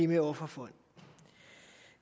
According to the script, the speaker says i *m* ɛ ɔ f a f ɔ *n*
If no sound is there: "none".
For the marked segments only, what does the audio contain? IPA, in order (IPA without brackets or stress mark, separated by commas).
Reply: m, n